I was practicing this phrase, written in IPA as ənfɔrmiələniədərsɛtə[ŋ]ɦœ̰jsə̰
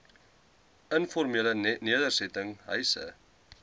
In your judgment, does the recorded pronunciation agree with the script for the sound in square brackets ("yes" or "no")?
yes